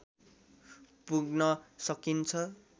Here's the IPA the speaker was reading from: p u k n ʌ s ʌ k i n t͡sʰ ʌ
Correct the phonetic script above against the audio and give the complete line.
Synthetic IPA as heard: p u ɡ n ʌ s ʌ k i n t͡sʰ ʌ